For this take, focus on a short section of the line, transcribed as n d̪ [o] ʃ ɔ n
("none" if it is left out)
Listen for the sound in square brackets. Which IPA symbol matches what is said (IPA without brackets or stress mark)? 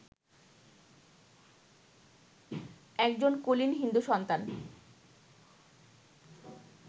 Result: u